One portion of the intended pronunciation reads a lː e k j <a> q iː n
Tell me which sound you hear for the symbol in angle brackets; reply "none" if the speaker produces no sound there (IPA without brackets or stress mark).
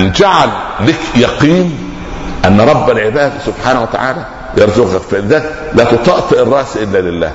ɑ